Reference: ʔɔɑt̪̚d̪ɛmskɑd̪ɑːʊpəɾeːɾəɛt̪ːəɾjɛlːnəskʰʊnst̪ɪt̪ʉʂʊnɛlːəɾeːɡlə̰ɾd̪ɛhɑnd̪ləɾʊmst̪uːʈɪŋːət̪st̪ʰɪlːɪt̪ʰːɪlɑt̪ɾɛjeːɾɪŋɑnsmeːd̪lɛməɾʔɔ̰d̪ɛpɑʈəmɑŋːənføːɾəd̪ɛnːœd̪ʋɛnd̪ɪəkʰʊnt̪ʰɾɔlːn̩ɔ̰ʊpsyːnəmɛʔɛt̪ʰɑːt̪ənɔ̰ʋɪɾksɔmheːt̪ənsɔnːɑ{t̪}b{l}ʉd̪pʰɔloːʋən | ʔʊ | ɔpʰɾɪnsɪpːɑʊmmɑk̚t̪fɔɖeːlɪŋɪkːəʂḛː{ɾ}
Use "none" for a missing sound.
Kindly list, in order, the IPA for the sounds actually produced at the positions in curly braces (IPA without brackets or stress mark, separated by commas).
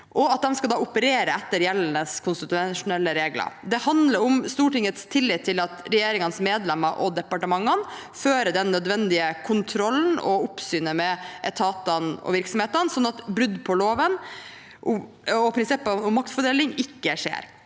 t̪, ɾ, ɾ